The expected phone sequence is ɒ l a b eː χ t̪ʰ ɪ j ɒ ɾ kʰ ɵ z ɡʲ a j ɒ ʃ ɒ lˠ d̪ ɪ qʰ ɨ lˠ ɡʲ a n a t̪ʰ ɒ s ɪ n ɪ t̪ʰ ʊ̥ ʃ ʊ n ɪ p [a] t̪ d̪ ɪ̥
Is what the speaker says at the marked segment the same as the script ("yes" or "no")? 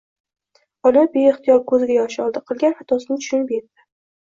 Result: no